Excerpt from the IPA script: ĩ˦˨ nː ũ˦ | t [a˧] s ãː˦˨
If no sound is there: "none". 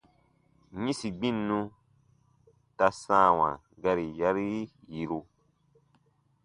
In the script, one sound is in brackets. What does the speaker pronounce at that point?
a˧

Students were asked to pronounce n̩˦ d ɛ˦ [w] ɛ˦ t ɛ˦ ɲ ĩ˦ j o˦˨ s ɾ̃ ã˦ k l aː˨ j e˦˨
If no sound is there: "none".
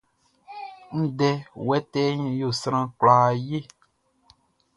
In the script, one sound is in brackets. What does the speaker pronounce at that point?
w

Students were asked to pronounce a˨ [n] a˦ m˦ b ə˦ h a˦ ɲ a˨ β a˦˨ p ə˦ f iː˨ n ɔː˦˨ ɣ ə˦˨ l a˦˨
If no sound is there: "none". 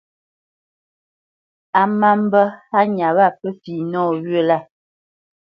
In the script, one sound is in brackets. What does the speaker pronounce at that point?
m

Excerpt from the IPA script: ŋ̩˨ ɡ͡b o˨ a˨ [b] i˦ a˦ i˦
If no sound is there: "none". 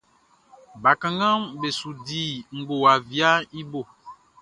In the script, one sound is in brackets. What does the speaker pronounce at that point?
v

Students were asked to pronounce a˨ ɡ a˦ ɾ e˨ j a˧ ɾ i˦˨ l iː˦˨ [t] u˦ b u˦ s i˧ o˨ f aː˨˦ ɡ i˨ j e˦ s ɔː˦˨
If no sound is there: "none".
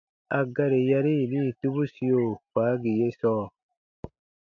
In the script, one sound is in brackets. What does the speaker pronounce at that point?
t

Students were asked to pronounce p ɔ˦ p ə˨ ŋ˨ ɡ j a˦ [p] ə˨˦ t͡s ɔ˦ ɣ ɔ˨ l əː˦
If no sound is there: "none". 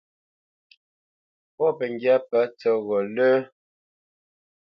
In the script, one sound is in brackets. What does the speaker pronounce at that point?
p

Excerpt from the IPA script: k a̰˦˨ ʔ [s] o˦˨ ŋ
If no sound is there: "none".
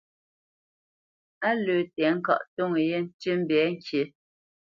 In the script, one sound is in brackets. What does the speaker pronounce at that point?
t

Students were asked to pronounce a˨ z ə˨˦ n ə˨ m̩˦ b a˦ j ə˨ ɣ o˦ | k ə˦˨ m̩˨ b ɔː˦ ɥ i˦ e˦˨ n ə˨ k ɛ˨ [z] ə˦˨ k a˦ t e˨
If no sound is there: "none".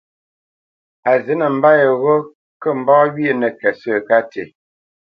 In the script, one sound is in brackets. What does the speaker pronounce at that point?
s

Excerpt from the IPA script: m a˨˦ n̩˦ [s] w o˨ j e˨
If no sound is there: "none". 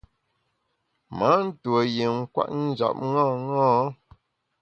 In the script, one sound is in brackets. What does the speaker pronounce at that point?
t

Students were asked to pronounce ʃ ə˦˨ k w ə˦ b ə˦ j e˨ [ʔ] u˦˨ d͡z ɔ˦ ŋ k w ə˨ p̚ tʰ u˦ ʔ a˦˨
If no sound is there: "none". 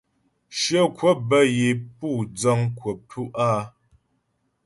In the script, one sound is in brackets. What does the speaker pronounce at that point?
p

